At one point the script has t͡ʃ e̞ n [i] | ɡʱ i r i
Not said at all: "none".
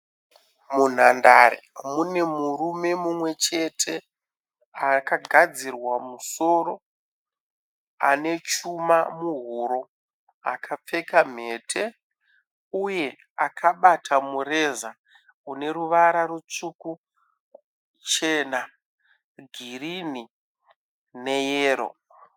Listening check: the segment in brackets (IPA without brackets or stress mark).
a